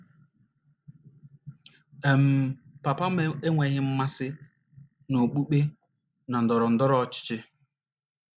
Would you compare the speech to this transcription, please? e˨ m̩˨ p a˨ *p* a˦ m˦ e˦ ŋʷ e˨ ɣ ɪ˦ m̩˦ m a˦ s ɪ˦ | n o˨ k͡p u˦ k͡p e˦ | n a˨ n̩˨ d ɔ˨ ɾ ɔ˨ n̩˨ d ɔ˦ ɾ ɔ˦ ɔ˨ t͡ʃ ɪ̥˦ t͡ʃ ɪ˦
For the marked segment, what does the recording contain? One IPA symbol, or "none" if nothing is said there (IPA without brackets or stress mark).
p